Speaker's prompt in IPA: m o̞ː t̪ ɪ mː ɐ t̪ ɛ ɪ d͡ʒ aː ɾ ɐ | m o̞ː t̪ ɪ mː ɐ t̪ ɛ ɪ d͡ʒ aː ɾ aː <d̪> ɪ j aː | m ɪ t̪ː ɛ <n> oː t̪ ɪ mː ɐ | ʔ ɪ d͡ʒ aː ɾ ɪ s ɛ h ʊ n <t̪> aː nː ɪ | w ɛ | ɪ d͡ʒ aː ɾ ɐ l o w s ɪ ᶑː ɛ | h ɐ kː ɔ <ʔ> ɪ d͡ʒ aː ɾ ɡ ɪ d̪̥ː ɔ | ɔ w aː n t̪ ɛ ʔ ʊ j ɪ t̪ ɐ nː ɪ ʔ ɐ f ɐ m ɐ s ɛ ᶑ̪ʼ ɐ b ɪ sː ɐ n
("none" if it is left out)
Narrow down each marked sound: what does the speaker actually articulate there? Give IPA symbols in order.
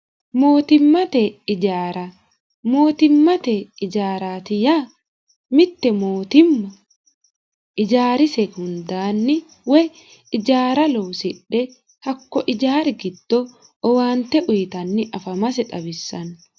t̪, m, d̪, ʔ

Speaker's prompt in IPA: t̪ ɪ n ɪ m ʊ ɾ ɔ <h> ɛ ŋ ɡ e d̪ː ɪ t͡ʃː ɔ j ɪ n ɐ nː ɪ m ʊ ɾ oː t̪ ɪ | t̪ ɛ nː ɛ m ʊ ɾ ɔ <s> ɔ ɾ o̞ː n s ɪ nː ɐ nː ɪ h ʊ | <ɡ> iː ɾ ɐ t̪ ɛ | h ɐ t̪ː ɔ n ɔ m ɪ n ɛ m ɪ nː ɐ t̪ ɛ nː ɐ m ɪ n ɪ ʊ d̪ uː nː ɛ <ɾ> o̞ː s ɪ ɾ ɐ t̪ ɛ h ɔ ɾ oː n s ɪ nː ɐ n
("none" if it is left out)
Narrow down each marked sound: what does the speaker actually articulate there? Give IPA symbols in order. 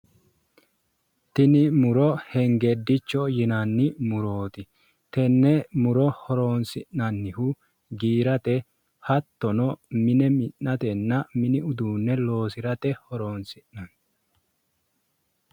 h, h, ɡ, l

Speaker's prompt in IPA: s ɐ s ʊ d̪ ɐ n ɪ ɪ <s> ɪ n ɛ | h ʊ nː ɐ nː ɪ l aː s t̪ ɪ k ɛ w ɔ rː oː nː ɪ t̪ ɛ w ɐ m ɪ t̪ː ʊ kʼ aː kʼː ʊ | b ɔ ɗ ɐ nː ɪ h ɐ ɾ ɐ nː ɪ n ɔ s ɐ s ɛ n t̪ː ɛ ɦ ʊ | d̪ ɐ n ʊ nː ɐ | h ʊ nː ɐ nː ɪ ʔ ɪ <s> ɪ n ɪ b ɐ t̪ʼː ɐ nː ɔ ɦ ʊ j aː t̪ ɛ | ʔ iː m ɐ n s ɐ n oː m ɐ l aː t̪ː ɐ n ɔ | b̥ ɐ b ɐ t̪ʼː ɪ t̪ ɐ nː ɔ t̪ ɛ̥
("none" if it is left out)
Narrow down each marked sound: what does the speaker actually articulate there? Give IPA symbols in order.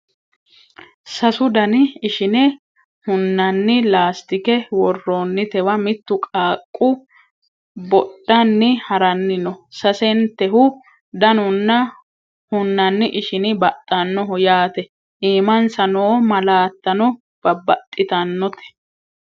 ʃ, ʃ

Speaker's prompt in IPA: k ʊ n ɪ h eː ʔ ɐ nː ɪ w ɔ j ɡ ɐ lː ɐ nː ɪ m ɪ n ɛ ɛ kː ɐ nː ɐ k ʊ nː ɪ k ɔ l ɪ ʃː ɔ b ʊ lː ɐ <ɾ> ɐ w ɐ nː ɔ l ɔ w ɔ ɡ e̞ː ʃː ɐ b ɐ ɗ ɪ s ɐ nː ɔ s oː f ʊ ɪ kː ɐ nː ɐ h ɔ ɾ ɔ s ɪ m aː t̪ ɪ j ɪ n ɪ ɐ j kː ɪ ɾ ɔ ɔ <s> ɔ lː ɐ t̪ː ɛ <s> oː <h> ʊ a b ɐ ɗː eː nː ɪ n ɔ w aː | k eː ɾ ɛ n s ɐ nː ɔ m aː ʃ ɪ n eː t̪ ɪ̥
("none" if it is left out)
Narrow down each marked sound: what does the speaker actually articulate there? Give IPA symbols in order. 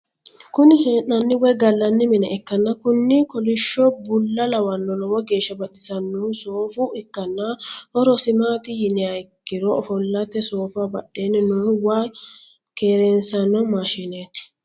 l, f, s, f

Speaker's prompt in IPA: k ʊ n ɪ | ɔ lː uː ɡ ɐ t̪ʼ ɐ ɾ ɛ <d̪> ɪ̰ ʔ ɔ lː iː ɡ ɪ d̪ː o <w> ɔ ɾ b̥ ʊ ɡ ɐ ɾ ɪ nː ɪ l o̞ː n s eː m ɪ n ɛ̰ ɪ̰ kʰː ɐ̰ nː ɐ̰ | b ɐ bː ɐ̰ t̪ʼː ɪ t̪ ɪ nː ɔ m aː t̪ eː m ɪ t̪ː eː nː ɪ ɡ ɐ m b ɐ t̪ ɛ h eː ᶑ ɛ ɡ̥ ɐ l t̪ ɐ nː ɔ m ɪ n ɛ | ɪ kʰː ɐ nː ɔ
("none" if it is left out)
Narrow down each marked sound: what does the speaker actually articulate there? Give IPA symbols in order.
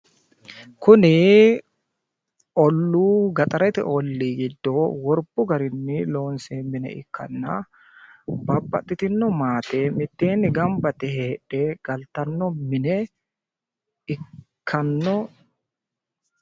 t̪, w

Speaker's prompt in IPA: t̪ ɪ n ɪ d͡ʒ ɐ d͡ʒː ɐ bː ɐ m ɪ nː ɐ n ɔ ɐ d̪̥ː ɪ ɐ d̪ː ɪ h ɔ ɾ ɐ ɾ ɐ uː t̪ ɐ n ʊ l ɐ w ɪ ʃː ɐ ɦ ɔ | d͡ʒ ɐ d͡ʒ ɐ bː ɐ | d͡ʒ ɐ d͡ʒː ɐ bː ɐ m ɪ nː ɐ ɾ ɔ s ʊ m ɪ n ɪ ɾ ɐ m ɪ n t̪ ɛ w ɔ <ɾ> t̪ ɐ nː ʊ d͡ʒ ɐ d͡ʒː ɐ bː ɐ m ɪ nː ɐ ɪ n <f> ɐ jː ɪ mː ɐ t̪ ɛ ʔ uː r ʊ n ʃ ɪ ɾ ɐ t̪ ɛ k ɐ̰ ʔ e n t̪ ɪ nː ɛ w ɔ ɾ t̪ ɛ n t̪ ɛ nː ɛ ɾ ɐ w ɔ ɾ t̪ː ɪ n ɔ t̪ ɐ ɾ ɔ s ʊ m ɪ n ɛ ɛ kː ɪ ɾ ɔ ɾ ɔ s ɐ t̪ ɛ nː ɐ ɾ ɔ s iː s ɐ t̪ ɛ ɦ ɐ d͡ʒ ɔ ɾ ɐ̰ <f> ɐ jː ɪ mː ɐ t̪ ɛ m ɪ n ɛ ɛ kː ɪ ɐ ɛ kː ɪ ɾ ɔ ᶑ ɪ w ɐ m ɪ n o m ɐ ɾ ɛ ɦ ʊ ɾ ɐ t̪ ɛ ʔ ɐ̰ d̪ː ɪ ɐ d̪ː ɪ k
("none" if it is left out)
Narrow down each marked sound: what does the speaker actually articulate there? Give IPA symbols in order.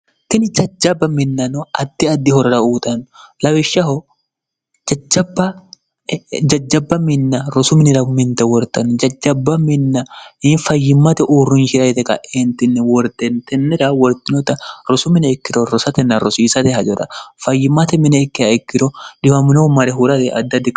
ɾ, f, f

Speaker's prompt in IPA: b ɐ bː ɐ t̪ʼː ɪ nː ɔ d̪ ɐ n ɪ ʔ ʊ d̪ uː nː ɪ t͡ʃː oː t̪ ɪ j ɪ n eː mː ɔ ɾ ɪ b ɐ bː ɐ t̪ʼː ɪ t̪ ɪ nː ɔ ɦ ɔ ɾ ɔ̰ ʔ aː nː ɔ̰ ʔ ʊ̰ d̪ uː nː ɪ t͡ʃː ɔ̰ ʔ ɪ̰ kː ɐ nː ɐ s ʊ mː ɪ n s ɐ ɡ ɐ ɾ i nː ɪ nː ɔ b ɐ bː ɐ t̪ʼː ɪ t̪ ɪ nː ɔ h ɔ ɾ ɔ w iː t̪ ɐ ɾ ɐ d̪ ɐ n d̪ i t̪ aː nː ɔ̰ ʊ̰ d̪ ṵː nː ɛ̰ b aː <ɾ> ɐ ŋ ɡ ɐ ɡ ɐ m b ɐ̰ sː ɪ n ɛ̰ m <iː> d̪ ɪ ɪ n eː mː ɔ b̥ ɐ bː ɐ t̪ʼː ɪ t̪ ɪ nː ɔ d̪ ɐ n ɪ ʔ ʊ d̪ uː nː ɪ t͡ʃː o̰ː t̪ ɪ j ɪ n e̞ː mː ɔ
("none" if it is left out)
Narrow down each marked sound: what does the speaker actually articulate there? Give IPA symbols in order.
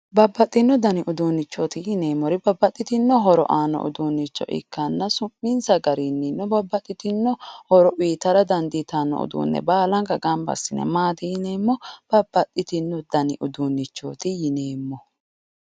l, aː

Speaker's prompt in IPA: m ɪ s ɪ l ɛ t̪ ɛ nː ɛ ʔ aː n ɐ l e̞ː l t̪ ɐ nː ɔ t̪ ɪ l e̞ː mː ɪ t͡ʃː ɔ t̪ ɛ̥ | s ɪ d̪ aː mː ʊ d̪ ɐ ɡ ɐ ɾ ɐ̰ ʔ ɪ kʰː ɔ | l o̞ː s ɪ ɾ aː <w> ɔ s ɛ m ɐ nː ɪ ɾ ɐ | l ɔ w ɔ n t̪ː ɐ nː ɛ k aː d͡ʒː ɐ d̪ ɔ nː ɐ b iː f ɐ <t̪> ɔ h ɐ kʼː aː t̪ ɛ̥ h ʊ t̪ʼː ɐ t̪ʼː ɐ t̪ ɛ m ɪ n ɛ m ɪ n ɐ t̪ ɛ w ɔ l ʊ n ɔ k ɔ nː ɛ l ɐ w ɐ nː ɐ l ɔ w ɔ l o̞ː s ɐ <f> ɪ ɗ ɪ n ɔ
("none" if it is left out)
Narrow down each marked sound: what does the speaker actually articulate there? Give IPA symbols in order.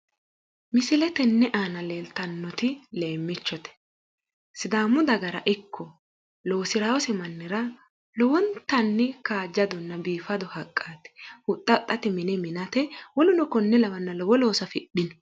w, d̪, f

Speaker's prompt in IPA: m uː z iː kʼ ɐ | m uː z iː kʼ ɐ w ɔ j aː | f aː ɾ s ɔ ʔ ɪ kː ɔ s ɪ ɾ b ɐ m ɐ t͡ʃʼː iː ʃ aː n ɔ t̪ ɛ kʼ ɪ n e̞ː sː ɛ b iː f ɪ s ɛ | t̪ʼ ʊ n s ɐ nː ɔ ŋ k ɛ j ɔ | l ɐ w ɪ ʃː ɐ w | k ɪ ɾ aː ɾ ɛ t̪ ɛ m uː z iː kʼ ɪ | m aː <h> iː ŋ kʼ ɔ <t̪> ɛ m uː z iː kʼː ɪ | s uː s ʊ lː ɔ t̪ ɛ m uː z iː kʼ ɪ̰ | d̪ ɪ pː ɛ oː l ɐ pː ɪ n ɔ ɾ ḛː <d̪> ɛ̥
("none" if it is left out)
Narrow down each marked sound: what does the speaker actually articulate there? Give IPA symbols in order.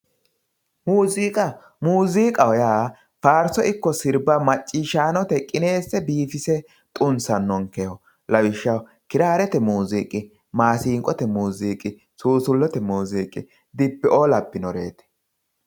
s, t̪, t̪

